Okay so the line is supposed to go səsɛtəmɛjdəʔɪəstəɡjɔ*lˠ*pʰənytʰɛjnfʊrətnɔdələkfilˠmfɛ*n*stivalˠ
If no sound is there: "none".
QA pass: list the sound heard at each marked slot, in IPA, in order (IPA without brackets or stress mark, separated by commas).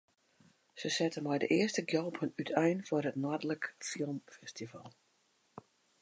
lˠ, none